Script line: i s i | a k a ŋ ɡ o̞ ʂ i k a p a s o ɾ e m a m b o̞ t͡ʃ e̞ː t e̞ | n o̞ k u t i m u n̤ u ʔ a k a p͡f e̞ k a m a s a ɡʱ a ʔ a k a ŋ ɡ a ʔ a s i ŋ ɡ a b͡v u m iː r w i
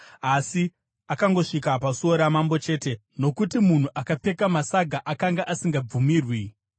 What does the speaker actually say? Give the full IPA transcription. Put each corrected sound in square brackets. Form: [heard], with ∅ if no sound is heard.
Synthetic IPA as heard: [a] s i | a k a ŋ ɡ o̞ ʂ i k a p a s o ɾ [a] m a m b o̞ t͡ʃ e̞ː t e̞ | n o̞ k u t i m u n̤ u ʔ a k a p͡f e̞ k a m a s a ɡʱ a ʔ a k a ŋ ɡ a ʔ a s i ŋ ɡ a b͡v u m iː r w i